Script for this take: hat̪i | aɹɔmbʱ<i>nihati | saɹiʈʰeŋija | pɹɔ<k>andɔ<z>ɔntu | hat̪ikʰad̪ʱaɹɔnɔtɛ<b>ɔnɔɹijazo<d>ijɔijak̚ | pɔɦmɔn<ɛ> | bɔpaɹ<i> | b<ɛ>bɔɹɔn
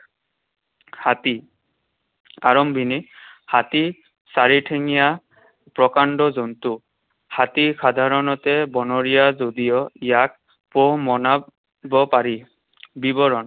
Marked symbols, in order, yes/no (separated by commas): yes, yes, yes, yes, yes, no, yes, no